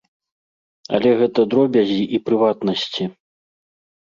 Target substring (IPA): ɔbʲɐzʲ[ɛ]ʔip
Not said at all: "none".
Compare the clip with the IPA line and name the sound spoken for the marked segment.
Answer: i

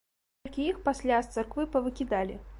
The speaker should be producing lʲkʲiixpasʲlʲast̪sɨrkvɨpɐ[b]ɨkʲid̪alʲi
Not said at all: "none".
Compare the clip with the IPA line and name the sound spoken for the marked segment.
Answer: v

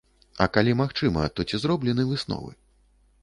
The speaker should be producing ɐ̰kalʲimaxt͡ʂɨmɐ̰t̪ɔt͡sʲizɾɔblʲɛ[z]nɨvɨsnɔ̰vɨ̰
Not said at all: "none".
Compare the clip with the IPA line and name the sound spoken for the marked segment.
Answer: none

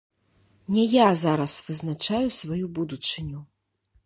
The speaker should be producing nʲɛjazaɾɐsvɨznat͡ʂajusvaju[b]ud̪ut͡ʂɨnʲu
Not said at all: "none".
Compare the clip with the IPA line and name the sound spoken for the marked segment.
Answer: b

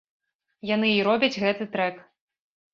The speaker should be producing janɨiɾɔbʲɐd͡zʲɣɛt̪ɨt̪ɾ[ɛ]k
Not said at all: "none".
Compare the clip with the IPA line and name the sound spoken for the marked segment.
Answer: ɛ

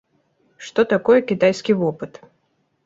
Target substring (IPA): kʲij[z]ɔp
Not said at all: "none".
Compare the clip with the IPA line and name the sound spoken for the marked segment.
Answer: v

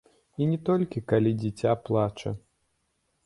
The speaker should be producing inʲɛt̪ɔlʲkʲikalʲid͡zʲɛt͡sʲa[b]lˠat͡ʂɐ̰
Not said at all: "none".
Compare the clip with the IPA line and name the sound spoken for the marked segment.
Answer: p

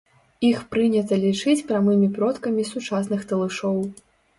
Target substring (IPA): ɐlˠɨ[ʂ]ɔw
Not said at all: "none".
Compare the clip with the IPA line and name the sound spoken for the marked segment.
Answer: ʂ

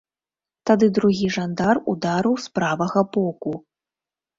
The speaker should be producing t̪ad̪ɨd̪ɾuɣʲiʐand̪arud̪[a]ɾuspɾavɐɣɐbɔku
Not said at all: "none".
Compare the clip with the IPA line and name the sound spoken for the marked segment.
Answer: a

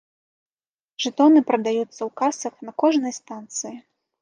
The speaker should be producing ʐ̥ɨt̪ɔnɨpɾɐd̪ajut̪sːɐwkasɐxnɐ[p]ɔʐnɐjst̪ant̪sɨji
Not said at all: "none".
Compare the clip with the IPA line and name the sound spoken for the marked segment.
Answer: k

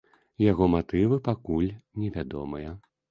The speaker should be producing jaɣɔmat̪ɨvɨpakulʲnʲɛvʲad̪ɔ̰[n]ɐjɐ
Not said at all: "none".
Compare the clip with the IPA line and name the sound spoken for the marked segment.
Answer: m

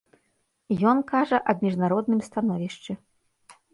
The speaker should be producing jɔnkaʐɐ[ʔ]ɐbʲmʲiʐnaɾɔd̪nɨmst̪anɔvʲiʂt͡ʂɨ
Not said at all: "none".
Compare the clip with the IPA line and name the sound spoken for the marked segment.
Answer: ʔ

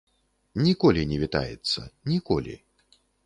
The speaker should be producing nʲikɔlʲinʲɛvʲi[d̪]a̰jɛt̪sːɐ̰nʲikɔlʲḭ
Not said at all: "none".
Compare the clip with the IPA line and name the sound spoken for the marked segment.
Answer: t̪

